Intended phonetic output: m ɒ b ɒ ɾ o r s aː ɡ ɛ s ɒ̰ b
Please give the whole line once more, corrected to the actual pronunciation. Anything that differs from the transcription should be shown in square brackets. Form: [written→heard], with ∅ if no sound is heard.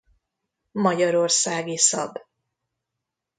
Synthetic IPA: m ɒ [b→ɟ] ɒ ɾ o r s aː ɡ [ɛ→i] s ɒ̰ b